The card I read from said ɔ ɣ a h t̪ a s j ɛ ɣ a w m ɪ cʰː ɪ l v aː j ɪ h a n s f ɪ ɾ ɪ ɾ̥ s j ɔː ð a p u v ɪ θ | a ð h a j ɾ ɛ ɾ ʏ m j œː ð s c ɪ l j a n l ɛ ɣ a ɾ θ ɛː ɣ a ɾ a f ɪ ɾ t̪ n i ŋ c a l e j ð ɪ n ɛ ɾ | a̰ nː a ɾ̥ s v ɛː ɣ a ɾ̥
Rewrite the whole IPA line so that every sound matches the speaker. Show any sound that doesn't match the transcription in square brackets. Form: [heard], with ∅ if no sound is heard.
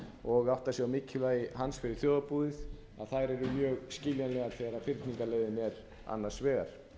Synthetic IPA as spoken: ɔ ɣ a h t̪ a s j ɛ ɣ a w m ɪ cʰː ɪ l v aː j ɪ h a n s f ɪ ɾ ɪ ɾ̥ [θ] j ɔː ð a p u [ð] ɪ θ | a ð [θ] a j ɾ ɛ ɾ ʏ m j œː [ɣ] s c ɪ l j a n l ɛ ɣ a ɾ θ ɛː ɣ a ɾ a f ɪ ɾ t̪ n i ŋ [k] a l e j ð ɪ n ɛ ɾ | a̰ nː a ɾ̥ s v ɛː ɣ a ɾ̥

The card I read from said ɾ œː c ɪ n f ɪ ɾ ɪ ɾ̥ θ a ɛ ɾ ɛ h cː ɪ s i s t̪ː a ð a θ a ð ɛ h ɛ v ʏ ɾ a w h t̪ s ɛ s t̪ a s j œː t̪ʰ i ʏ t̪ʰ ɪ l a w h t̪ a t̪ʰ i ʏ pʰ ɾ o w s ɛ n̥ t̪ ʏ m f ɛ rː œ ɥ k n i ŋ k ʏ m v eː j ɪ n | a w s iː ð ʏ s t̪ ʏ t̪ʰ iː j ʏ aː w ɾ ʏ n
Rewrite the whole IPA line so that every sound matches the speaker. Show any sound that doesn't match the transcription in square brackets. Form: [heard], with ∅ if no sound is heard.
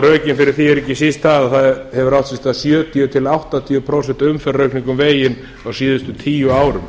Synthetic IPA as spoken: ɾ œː c ɪ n f ɪ ɾ ɪ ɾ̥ θ [i] ɛ ɾ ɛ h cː ɪ s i s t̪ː a ð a θ a ð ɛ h ɛ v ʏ ɾ a w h t̪ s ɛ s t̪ a s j œː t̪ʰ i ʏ t̪ʰ ɪ l a w h t̪ a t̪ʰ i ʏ pʰ ɾ o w s ɛ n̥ t̪ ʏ m f ɛ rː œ ɥ k n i ŋ k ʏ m v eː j ɪ n | a w s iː ð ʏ s t̪ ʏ t̪ʰ iː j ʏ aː w ɾ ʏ [m]

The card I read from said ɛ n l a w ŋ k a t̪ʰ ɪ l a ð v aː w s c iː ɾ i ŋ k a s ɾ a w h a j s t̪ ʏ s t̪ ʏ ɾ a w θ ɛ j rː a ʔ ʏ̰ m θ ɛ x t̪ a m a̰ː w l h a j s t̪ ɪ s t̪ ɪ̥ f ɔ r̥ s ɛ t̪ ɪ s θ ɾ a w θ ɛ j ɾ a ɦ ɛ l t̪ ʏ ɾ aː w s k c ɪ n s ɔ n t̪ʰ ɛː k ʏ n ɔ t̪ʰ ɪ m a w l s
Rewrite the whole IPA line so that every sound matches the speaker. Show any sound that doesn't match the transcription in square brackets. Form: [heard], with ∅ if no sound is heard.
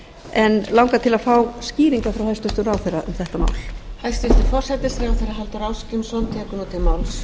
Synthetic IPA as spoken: ɛ n l a w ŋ k a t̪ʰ ɪ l a ð [f] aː w s c iː ɾ i ŋ k a [f] ɾ a w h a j s t̪ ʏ s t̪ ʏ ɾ a w θ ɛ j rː a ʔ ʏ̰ m θ ɛ [h] t̪ a m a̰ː w l h a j s t̪ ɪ s t̪ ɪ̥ f ɔ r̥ s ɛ t̪ ɪ s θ ɾ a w θ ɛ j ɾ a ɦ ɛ l t̪ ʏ ɾ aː w s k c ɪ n s ɔ n t̪ʰ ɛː k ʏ n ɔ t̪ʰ ɪ m a w l s

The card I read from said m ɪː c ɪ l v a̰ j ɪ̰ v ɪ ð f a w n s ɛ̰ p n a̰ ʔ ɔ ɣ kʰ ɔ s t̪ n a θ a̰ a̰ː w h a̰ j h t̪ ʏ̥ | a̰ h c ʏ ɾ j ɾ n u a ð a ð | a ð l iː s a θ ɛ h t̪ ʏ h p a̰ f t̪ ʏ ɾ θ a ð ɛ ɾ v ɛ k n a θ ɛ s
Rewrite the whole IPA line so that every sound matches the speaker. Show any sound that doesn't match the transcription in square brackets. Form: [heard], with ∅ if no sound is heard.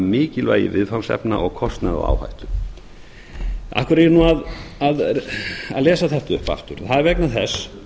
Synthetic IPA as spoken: m ɪː c ɪ l v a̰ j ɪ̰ v ɪ ð f a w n s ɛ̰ p n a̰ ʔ ɔ ɣ kʰ ɔ s t̪ n a [ð] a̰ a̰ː w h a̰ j h t̪ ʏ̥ | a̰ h [k] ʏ ɾ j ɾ n u a ð a ð | a ð l [ɛː] s a θ ɛ h t̪ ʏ h p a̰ f t̪ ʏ ɾ θ a ð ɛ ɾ v ɛ k n a θ ɛ s

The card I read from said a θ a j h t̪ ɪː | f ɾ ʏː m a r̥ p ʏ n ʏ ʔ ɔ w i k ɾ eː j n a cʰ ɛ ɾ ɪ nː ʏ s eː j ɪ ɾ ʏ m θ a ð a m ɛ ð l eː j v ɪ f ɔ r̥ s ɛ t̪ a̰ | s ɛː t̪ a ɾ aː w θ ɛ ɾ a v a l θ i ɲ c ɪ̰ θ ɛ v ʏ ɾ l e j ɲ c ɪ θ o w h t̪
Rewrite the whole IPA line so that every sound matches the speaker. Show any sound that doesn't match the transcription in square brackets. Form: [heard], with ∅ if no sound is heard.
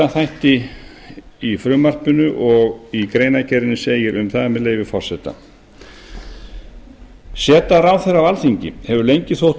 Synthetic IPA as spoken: a θ a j h t̪ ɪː | f ɾ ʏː m a r̥ p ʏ n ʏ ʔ ɔ [ɣ] i k ɾ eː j n a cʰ ɛ ɾ ɪ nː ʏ s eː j ɪ ɾ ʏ m θ a ð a m ɛ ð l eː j v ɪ f ɔ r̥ s ɛ t̪ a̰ | s ɛː t̪ a ɾ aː w θ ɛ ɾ a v a l θ i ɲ c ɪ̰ [h] ɛ v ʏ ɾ l e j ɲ c ɪ θ o w h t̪

